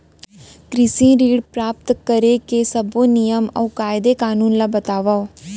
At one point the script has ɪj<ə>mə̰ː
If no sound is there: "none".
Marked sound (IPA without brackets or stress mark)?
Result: ə